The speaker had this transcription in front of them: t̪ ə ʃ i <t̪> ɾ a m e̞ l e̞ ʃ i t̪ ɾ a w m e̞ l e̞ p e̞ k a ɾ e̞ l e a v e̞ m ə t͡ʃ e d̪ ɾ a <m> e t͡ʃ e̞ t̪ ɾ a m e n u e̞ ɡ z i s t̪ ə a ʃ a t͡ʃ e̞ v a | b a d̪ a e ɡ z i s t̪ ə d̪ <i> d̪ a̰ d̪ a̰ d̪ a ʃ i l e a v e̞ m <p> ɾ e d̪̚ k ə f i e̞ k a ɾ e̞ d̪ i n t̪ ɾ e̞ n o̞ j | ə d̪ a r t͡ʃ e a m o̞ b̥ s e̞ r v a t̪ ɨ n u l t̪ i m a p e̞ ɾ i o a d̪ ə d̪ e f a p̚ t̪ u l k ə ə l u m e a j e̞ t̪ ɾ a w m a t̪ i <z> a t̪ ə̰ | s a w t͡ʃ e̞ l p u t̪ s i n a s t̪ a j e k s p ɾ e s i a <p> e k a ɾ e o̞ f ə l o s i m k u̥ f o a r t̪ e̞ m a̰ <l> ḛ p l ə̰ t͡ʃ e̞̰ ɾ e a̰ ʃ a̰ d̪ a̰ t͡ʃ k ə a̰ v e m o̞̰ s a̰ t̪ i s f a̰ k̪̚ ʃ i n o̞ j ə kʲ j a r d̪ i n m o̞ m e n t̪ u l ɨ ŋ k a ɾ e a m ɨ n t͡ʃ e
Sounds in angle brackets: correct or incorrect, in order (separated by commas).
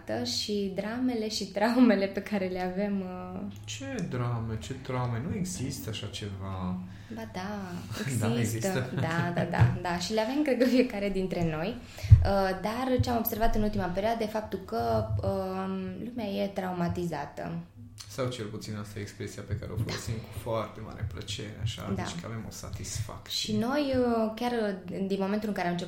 incorrect, correct, incorrect, incorrect, correct, correct, incorrect